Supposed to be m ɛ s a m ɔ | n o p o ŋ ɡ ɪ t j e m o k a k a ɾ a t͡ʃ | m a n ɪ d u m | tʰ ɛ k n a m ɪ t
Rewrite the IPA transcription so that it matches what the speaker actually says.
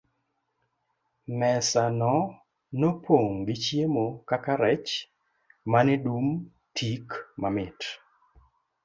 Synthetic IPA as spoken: m ɛ s a n ɔ | n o p o ŋ ɡ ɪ t͡ʃ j e m o k a k a ɾ ɛ t͡ʃ | m a n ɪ d u m | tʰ i k m a m ɪ t